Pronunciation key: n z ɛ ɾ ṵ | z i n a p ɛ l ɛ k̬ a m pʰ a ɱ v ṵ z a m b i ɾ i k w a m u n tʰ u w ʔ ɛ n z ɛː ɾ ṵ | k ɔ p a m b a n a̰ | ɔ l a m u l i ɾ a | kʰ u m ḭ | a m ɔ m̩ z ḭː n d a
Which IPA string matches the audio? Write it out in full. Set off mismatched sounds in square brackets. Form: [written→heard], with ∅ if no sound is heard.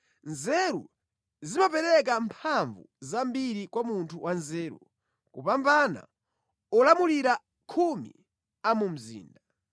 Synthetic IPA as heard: n z ɛ ɾ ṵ | z i [n→m] a p ɛ [l→ɾ] ɛ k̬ a m pʰ a ɱ v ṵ z a m b i ɾ i k w a m u n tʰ u w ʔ [ɛ→a] n z ɛː ɾ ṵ | k [ɔ→u] p a m b a n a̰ | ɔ l a m u l i ɾ a | kʰ u m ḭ | a m [ɔ→u] m̩ z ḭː n d a